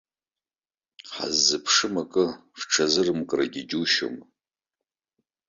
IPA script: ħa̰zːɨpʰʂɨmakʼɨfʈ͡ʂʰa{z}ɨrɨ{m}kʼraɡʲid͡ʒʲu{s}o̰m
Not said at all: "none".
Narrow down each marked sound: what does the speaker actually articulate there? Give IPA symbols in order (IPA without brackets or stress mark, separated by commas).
z, m, ʃ